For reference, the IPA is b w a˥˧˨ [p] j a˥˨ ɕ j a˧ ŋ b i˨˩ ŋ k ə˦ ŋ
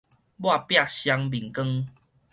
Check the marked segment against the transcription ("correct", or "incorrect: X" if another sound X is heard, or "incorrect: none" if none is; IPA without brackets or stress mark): correct